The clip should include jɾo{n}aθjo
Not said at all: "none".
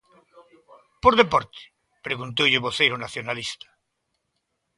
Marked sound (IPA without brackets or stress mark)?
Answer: n